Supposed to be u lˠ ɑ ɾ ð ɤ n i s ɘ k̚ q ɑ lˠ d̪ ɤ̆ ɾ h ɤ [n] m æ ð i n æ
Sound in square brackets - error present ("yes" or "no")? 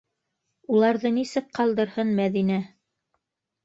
no